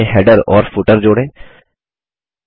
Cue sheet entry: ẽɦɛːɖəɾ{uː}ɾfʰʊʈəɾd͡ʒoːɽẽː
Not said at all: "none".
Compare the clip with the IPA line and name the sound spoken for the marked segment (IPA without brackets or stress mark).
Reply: ɔː